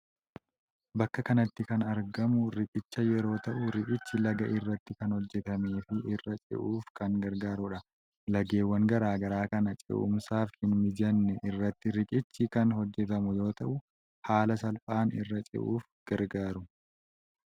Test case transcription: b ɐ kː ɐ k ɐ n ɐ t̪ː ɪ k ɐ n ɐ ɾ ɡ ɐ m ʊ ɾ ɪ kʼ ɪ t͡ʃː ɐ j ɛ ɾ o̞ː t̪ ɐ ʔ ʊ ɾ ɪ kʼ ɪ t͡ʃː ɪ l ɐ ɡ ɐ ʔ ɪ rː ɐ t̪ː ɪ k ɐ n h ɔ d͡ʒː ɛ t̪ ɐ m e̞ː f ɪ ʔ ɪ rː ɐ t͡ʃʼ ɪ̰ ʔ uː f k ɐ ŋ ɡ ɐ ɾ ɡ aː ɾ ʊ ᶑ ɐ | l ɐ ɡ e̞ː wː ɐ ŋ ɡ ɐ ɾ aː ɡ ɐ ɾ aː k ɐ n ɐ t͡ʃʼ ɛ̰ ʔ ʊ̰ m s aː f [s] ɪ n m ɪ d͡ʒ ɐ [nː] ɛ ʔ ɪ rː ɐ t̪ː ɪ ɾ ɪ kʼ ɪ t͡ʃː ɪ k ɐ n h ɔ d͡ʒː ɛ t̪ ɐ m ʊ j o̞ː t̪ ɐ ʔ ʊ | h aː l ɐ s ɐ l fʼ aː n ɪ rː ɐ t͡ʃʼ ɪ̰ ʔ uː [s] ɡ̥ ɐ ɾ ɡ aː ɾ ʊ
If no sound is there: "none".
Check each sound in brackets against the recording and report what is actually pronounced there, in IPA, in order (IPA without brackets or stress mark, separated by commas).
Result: h, nː, f